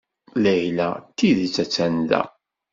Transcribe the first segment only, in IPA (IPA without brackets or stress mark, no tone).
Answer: l